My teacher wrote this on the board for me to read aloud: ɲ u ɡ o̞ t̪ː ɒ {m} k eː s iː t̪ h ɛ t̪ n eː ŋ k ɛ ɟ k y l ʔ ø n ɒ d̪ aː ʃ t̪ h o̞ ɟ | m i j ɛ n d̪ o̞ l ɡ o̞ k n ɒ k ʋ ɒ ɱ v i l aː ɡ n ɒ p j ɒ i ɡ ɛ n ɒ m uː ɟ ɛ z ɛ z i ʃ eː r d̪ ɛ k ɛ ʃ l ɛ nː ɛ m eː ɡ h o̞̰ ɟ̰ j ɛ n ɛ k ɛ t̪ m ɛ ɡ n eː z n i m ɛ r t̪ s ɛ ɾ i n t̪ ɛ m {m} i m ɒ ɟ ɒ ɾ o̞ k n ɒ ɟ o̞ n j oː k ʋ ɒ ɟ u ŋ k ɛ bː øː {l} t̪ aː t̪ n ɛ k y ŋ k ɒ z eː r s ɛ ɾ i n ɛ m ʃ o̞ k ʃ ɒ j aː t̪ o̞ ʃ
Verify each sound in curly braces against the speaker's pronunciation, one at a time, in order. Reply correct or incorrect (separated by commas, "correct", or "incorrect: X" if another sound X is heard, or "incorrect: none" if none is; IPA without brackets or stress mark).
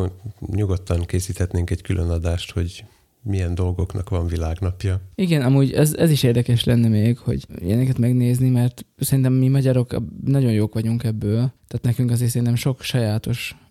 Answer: incorrect: ŋ, correct, correct